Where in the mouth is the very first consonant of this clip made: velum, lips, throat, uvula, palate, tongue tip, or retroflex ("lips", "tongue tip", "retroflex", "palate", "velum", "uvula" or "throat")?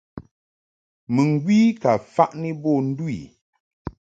lips